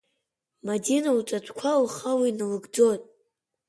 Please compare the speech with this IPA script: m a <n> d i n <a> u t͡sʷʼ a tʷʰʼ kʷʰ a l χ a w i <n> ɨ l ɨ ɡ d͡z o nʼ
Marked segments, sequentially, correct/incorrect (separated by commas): incorrect, correct, correct